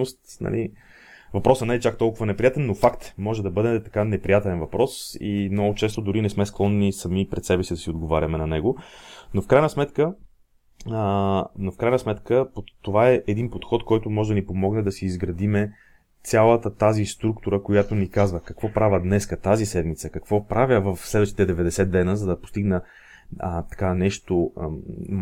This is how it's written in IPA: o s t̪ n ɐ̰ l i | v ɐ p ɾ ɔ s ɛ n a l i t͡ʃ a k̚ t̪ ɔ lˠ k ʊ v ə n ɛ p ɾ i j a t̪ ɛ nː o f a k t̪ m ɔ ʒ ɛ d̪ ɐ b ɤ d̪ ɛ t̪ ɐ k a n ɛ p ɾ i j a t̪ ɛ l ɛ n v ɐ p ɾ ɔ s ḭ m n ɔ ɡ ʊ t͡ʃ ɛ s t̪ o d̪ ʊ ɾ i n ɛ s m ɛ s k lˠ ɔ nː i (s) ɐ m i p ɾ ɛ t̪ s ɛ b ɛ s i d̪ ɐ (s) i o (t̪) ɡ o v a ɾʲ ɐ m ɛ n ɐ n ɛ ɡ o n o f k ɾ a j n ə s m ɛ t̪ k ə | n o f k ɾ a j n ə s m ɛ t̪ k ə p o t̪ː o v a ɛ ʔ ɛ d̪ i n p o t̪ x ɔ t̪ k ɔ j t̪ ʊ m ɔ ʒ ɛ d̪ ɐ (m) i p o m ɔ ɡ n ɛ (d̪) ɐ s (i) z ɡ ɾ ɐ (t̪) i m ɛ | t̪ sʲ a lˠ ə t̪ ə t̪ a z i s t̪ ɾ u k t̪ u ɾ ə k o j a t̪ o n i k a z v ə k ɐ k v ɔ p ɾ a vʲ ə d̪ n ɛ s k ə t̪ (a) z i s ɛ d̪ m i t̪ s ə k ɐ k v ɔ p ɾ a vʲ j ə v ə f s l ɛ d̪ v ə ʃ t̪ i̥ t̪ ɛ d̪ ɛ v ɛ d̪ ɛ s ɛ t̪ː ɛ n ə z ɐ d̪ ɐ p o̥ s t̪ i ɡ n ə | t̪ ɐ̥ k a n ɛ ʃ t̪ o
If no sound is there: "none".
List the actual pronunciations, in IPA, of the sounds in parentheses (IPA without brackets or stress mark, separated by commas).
s, s, d̪, n, d̪, iː, d̪, a